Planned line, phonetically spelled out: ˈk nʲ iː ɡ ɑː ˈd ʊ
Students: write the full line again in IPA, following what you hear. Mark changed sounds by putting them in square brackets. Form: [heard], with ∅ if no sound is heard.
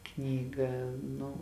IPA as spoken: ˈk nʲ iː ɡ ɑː [ˈn] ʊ